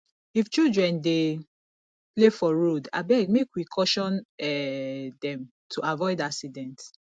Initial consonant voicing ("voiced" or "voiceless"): voiceless